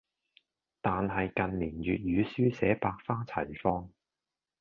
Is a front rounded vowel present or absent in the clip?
present